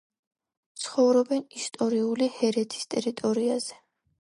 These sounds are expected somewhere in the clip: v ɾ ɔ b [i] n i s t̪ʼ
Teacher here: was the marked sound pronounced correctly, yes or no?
no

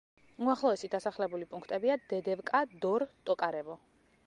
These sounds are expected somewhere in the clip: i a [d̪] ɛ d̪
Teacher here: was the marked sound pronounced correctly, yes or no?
yes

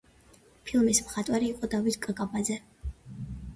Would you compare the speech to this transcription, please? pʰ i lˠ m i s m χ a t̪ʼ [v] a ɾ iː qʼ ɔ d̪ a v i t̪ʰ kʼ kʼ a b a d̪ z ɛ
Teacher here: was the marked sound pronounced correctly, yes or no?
no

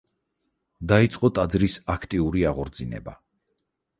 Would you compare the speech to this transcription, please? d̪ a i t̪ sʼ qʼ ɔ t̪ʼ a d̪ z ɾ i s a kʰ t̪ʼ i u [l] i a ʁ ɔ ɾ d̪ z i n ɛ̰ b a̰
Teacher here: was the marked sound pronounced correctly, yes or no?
no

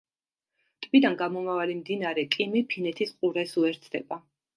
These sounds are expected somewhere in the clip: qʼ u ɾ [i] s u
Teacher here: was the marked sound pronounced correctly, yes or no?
no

